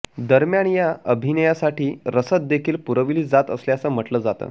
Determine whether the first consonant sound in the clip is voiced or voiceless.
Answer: voiced